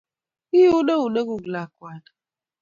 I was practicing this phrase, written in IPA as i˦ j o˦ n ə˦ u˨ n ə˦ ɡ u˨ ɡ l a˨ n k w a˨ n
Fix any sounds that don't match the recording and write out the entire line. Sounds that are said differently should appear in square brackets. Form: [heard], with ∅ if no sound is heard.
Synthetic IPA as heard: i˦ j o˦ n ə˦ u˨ n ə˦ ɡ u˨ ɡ l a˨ [∅] k w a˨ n